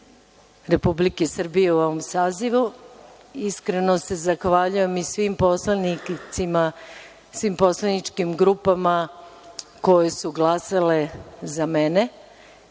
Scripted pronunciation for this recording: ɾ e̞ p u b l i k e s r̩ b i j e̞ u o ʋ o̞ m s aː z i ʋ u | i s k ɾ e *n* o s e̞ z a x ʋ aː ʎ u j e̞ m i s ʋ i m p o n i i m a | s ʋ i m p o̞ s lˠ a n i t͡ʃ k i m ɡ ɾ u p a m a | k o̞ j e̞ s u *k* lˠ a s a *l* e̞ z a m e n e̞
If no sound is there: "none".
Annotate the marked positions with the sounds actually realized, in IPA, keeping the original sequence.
n, ɡ, l

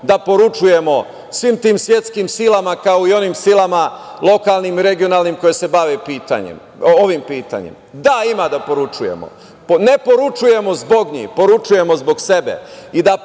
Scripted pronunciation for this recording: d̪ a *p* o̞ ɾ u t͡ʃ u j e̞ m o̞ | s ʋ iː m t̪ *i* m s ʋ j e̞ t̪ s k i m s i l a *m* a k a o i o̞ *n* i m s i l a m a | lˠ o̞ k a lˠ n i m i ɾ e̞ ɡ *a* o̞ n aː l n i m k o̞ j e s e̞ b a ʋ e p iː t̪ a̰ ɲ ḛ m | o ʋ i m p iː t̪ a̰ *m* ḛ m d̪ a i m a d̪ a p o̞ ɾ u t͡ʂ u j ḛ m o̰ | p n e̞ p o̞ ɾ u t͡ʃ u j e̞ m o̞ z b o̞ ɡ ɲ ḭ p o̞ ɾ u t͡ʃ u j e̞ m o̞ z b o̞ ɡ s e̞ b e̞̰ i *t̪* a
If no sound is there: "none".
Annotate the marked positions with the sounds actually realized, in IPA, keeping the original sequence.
p, iː, m, n, i, ɲ, d̪

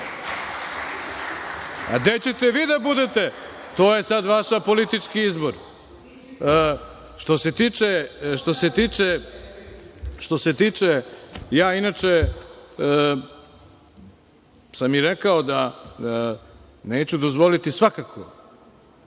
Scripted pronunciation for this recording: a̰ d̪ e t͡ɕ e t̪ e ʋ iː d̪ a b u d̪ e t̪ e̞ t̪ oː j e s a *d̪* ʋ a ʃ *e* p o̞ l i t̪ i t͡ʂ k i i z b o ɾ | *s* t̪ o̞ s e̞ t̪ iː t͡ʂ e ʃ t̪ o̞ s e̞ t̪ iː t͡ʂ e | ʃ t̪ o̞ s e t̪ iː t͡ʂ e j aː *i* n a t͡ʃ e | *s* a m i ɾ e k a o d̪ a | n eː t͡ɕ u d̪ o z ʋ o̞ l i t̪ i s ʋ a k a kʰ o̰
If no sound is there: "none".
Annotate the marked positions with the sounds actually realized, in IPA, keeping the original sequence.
d̪, a, ʃ, i, s

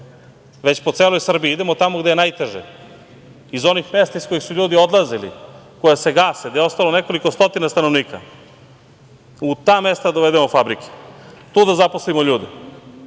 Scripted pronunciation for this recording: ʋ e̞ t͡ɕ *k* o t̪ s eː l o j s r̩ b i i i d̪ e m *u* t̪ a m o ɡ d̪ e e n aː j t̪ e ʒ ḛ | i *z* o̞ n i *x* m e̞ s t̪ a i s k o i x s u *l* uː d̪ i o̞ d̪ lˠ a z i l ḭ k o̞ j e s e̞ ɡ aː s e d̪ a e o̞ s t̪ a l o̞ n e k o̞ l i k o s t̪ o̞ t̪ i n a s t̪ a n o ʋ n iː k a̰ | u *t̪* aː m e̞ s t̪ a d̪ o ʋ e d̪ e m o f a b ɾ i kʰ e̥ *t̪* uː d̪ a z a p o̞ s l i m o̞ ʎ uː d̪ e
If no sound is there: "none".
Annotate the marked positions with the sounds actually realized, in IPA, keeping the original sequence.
p, o, z, x, ʎ, t̪, t̪

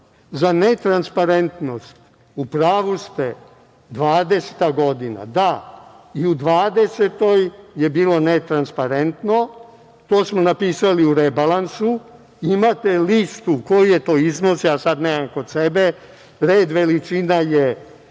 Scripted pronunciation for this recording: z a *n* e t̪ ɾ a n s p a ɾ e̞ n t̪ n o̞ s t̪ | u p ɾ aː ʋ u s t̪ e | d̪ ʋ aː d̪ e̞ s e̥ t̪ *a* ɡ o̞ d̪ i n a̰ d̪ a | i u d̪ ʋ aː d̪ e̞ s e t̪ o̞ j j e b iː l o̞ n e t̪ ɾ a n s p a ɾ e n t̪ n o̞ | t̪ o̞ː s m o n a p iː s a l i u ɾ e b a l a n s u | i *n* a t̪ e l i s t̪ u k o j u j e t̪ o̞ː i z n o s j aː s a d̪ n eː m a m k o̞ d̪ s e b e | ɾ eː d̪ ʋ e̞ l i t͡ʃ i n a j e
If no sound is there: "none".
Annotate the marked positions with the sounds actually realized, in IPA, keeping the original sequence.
n, a, m

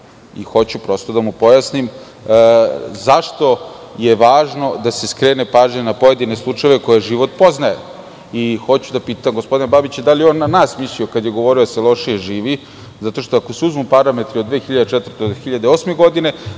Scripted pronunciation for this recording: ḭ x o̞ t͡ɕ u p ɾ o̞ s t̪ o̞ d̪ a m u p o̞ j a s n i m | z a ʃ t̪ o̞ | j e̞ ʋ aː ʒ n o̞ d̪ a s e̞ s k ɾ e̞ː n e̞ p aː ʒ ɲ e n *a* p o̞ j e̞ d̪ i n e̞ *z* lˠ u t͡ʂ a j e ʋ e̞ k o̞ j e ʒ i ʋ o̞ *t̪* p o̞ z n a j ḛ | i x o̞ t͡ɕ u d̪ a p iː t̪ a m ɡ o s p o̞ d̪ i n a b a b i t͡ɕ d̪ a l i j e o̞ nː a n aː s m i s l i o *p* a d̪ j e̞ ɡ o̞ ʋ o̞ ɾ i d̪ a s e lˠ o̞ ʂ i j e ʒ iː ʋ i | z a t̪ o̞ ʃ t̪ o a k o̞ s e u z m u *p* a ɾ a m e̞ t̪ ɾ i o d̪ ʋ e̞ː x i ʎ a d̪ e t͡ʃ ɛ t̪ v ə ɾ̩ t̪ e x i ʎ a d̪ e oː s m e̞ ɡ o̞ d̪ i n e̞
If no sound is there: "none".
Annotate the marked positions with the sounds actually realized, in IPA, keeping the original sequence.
a, s, t̪, k, p

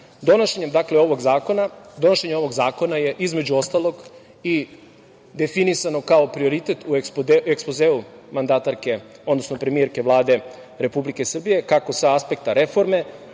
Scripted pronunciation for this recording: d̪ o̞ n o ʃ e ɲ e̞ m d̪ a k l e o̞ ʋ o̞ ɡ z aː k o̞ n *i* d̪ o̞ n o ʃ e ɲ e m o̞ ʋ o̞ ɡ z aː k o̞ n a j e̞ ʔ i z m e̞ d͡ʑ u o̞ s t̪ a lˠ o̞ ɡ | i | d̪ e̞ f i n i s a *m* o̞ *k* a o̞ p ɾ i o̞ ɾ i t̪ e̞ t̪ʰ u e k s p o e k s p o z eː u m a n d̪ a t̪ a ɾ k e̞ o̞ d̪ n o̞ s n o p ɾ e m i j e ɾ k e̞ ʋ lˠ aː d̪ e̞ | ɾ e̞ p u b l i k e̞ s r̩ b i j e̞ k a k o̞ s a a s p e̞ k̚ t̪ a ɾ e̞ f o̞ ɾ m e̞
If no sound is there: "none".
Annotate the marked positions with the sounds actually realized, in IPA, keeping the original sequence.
a, n, k

